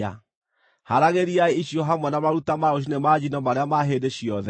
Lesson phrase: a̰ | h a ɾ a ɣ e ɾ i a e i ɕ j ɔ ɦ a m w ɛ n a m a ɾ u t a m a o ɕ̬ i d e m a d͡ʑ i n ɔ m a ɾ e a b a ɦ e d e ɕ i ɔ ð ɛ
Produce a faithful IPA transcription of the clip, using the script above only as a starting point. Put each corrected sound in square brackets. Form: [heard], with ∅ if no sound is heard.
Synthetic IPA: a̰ | h a ɾ a ɣ e ɾ i a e i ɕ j ɔ ɦ a m w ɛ n a m a ɾ u t a m a o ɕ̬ i [n] e m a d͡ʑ i n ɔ m a ɾ e a [m] a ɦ e d e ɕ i ɔ ð ɛ